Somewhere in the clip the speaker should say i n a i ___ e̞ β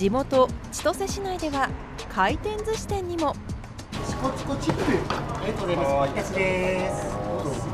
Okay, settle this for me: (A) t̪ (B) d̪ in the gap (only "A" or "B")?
B